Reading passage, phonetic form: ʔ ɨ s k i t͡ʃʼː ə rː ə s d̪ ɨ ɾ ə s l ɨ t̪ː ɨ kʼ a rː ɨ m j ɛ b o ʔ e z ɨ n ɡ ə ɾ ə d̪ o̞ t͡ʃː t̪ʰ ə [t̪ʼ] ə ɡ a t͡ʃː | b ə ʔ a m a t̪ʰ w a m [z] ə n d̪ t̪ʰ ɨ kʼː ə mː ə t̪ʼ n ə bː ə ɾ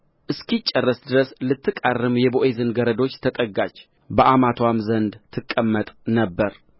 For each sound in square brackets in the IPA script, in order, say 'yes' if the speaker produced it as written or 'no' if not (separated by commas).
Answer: yes, yes